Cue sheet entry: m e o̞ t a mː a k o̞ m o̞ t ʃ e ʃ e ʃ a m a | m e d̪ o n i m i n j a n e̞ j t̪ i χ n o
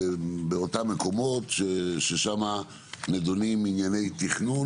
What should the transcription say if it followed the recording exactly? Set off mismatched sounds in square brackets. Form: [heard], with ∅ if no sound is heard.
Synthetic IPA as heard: [b] e o̞ t a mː [e] k o̞ m o̞ t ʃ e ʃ e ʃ a m a | [n] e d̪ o n i m i n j a n e̞ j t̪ i χ n [u]